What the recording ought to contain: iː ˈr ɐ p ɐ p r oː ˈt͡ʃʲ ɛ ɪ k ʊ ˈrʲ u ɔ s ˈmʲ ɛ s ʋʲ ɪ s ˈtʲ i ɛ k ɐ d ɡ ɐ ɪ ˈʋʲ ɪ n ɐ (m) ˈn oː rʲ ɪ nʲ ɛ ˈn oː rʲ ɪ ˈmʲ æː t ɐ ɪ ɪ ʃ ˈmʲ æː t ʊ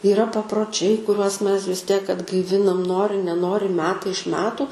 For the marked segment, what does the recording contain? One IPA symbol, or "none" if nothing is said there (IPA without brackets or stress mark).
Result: m